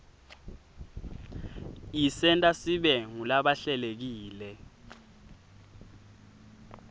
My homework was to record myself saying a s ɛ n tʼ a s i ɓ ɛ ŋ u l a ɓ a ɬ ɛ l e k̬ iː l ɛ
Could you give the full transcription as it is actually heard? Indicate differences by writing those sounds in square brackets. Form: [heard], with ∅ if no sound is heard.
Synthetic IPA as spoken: [i] s ɛ n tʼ a s i ɓ ɛ ŋ u l a ɓ a ɬ ɛ l e k̬ iː l ɛ